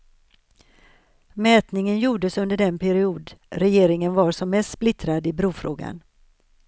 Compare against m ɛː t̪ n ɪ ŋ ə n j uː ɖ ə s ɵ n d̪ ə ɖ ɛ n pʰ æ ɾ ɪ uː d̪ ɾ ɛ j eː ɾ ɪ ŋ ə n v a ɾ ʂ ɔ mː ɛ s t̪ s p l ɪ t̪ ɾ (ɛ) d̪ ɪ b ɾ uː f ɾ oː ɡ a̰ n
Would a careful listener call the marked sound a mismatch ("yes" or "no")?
yes